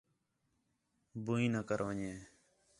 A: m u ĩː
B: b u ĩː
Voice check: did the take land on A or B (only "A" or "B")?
B